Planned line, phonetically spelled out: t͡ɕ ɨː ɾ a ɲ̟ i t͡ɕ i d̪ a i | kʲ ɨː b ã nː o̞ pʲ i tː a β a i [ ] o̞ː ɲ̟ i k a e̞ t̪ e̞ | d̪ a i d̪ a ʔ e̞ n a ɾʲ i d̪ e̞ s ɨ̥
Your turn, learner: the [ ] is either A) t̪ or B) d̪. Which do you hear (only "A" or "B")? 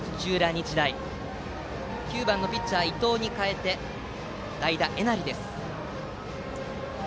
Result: A